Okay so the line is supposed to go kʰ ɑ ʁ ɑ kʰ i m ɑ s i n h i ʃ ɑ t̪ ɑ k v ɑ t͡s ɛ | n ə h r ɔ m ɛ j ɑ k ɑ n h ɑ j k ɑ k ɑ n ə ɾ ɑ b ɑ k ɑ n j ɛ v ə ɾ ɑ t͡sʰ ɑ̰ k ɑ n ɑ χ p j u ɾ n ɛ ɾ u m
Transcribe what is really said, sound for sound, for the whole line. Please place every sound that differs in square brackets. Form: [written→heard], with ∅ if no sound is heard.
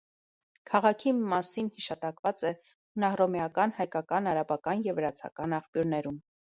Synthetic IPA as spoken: kʰ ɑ ʁ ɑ kʰ i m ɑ s i n h i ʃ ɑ t̪ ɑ k v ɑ t͡s ɛ | n [ə→ɑ] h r ɔ m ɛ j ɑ k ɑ n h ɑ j k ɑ k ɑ n [ə→ɑ] ɾ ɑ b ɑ k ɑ n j ɛ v ə ɾ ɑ t͡sʰ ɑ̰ k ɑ n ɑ χ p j u ɾ n ɛ ɾ u m